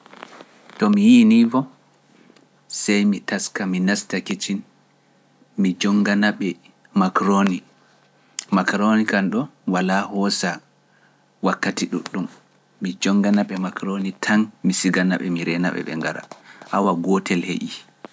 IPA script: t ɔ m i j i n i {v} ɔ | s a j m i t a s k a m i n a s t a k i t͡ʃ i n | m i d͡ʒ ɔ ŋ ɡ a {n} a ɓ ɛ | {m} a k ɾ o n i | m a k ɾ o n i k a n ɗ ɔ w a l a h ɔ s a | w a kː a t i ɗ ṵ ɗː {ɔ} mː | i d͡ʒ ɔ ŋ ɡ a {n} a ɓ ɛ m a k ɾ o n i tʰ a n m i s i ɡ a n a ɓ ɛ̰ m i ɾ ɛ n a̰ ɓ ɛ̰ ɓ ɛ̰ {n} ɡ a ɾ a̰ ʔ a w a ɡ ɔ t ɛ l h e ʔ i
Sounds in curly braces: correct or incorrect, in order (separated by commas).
correct, correct, correct, incorrect, correct, incorrect